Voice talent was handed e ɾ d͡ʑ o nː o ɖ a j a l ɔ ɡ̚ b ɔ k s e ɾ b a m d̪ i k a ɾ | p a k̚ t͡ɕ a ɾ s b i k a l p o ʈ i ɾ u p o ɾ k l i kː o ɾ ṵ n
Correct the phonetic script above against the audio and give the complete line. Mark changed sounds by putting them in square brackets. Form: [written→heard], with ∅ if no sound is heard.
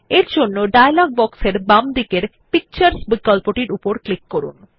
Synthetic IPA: e ɾ d͡ʑ o nː o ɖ a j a l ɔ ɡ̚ b ɔ k s e ɾ b a m d̪ i k [a→e] ɾ | p [a→i] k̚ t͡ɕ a ɾ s b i k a l p o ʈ i ɾ u p o ɾ k l i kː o ɾ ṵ n